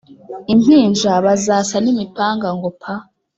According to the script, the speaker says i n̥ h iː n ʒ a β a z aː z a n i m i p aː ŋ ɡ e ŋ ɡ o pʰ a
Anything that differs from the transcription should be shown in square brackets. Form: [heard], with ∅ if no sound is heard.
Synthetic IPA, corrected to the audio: i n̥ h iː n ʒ a β a z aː [s] a n i m i p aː ŋ ɡ [a] ŋ ɡ o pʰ a